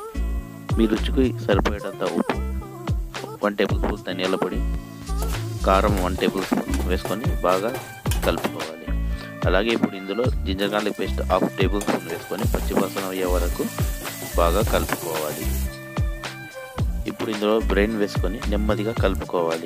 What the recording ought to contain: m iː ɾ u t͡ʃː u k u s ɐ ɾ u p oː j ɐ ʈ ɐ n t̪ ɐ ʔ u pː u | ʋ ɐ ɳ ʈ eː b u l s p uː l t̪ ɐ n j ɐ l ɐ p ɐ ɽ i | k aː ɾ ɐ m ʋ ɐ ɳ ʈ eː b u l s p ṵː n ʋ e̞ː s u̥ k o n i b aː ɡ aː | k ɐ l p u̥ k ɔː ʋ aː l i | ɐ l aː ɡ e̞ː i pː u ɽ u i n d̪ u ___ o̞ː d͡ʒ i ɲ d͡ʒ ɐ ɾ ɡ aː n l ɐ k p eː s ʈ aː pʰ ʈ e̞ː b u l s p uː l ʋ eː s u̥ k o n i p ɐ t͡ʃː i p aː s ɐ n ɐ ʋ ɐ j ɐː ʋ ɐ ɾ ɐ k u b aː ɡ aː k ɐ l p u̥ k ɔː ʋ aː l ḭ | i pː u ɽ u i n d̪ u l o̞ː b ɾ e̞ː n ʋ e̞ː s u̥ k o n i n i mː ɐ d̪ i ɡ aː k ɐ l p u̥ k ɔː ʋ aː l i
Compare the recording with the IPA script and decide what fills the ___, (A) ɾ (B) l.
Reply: B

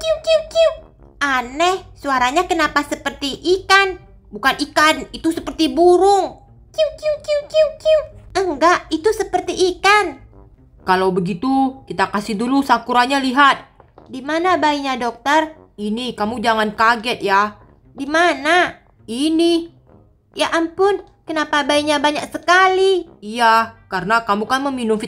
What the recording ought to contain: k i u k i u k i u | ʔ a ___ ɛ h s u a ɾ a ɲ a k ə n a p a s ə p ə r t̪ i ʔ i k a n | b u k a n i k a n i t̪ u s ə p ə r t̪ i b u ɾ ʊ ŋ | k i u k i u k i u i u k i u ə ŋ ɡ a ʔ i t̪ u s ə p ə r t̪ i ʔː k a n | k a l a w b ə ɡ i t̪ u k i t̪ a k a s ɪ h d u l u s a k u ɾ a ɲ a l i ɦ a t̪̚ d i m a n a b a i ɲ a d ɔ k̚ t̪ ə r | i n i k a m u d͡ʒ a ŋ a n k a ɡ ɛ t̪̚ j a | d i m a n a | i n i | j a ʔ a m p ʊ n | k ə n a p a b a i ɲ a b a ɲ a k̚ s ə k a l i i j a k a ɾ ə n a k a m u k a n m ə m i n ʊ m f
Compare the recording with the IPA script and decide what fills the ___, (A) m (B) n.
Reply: B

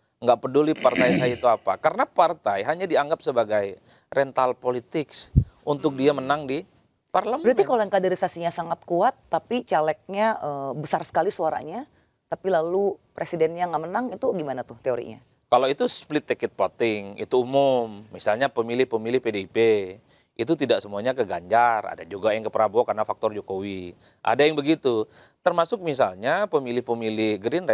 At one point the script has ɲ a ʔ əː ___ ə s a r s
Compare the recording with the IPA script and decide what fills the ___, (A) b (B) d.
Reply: A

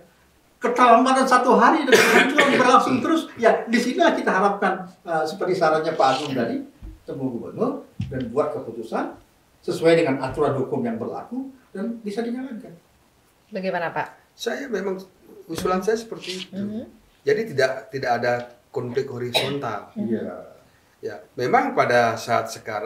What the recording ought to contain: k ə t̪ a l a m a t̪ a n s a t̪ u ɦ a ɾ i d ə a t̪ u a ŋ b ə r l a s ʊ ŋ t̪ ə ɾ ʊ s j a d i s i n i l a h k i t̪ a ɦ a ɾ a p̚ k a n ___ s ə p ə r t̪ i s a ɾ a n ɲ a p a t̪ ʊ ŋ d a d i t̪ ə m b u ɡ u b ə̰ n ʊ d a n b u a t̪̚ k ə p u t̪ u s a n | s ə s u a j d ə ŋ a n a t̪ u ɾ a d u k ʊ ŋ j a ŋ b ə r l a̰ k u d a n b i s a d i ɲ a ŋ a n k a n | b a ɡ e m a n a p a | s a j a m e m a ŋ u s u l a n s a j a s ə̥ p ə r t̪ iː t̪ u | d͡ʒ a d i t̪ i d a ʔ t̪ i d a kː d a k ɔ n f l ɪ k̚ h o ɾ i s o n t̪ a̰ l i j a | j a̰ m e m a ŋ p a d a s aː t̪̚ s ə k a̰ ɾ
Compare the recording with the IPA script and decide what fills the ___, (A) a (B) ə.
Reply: B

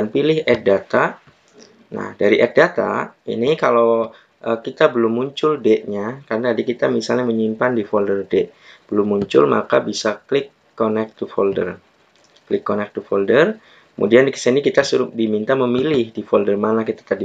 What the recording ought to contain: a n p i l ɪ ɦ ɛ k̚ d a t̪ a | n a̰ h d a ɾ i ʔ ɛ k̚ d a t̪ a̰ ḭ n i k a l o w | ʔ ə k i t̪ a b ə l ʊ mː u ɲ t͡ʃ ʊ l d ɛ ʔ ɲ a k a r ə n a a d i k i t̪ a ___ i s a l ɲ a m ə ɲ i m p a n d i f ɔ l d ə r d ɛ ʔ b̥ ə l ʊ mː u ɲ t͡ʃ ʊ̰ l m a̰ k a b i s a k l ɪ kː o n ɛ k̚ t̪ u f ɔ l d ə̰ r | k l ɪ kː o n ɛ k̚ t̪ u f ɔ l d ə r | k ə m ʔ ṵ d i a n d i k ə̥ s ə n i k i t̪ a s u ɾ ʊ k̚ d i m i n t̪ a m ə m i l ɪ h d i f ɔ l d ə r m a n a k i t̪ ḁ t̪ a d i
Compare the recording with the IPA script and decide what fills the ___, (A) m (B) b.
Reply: A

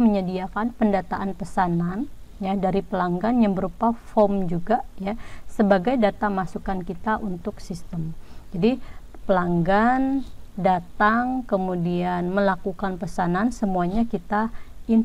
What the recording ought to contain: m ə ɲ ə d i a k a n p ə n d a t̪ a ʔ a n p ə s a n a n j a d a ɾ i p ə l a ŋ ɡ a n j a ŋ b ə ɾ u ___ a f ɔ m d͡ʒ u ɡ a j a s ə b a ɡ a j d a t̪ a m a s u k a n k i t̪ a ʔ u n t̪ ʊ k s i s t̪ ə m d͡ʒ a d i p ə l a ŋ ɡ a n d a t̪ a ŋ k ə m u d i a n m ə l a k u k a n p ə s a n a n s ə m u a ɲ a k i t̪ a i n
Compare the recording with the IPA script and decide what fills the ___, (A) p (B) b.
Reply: A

